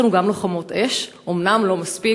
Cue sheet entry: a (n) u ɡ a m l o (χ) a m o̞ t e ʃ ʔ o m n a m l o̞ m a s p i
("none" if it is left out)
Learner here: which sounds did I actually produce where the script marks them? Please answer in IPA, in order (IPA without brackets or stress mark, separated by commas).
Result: n, χ